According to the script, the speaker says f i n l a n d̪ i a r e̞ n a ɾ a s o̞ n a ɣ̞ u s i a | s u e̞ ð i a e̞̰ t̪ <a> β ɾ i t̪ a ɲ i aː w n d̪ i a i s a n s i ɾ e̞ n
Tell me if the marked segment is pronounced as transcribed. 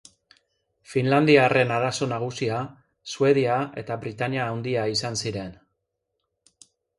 yes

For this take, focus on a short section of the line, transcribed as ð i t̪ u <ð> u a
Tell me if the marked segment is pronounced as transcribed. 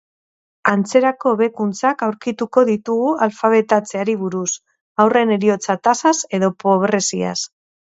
no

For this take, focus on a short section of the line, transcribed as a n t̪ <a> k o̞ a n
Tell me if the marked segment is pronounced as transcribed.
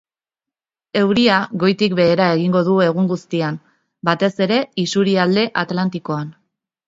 no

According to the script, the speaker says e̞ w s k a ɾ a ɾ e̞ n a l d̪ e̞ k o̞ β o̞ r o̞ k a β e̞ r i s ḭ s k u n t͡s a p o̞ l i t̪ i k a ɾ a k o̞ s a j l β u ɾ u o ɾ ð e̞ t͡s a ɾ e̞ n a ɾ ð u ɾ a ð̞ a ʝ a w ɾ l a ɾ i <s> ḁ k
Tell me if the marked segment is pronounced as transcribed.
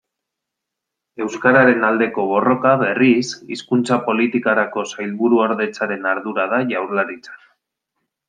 no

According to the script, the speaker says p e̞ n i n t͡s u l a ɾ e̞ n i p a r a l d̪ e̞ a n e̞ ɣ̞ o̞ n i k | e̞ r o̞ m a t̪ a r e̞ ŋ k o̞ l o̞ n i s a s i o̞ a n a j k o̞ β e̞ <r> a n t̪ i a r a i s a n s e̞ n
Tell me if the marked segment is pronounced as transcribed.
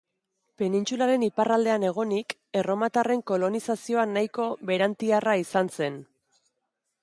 no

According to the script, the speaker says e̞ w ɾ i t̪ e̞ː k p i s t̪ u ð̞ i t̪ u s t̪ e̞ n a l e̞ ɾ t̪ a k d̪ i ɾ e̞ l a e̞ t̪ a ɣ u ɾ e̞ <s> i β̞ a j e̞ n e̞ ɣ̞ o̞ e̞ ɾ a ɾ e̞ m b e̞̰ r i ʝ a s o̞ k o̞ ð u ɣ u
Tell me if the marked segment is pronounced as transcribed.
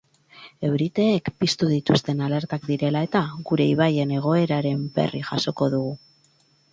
no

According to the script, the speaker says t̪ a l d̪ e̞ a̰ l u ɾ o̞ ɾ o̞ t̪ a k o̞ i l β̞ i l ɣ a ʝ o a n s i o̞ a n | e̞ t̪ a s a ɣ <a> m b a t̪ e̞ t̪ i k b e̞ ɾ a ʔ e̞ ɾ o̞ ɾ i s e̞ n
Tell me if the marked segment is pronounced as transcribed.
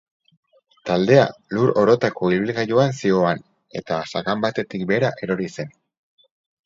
yes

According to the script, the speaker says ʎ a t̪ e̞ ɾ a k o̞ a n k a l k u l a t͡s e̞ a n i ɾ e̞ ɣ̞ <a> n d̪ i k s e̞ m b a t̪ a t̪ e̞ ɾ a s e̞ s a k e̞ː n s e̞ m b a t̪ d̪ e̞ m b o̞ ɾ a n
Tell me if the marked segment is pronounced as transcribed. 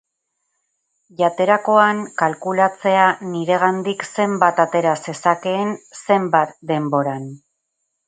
yes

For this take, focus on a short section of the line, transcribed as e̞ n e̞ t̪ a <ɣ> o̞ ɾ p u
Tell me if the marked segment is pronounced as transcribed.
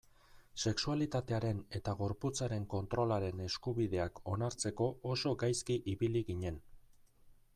yes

